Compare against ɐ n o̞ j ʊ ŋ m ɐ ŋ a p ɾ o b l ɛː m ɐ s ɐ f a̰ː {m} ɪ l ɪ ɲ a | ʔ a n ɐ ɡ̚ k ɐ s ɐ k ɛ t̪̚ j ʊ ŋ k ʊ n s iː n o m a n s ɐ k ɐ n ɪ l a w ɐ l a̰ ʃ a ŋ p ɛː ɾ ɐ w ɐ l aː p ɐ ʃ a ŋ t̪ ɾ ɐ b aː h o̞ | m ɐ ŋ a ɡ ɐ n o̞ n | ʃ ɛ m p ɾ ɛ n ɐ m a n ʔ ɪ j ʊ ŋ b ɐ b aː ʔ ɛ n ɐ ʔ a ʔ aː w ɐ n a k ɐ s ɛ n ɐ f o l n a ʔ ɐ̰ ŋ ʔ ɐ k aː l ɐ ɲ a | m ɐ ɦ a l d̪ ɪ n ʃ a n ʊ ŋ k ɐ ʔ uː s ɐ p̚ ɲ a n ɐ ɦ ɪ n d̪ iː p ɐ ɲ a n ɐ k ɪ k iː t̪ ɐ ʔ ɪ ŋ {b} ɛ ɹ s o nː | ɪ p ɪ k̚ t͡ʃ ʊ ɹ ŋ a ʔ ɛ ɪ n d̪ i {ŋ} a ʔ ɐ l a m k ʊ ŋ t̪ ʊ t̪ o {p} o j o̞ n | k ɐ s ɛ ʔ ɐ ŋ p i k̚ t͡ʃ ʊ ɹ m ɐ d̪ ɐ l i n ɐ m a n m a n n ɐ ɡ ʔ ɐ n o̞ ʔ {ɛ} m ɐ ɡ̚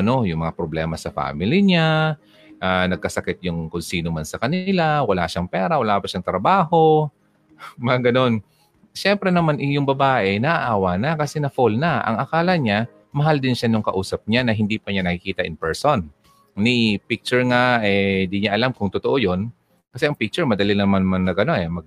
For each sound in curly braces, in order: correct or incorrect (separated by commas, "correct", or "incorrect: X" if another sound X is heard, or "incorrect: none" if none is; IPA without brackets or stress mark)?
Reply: correct, incorrect: p, incorrect: ɲ, incorrect: ʔ, correct